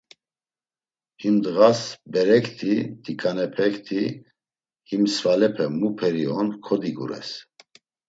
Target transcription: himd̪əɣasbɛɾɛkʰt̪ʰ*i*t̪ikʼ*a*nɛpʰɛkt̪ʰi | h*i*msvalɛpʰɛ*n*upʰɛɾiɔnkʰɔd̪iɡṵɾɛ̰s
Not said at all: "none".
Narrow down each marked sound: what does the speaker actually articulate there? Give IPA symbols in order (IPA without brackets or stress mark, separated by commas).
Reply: i, a, i, m